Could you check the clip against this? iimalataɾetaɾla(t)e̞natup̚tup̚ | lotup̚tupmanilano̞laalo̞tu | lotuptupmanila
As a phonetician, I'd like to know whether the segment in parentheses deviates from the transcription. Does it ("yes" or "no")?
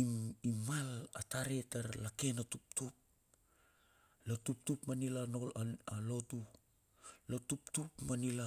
yes